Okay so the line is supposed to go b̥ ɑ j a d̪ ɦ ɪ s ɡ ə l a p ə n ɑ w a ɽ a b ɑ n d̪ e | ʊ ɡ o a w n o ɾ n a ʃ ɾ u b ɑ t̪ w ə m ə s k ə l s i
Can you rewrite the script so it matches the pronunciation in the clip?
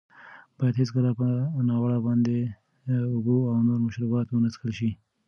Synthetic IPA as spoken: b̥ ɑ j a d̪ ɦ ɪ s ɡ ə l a p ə n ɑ w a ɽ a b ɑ n d̪ e | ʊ b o a w n o ɾ m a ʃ ɾ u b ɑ t̪ w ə n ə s k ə l ʃ i